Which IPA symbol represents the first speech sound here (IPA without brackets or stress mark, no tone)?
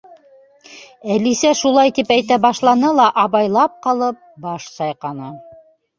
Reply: æ